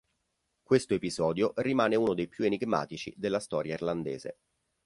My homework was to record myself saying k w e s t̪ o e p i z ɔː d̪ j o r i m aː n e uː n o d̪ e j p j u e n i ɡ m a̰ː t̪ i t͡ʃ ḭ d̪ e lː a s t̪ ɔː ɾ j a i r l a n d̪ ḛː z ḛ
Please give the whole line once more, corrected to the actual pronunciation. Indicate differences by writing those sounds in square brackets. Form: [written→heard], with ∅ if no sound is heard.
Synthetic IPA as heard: k w e s t̪ o e p i z ɔː d̪ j o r i m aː n e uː n o d̪ e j p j u e n i ɡ m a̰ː t̪ i t͡ʃ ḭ d̪ e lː a s t̪ ɔː ɾ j a i r l a n d̪ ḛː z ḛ